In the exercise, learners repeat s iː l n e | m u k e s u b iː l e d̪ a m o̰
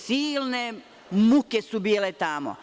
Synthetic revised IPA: s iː l n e | m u k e s u b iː l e t̪ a m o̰